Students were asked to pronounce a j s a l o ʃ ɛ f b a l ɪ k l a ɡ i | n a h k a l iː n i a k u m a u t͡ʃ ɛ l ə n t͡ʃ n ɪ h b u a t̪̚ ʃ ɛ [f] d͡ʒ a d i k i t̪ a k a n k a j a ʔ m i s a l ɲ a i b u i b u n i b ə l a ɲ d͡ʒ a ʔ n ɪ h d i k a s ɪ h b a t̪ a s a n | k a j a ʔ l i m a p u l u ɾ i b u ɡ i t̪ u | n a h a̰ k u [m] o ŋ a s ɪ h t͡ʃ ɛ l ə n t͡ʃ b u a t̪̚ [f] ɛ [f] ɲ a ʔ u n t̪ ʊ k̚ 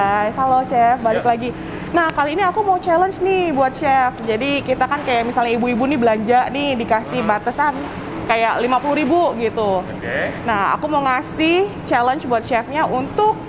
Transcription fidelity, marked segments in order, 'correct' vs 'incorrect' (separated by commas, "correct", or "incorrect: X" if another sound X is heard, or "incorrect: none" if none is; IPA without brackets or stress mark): correct, correct, incorrect: ʃ, correct